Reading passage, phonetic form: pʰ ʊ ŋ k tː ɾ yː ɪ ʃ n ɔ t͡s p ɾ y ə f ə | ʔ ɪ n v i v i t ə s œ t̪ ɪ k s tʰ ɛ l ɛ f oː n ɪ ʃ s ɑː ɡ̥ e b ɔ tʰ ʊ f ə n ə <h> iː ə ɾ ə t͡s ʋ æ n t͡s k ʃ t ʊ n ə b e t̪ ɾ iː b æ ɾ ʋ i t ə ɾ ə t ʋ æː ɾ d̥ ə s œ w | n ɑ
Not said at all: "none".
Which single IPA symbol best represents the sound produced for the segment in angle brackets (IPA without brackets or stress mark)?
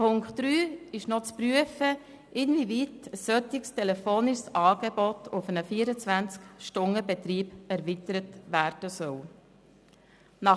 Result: f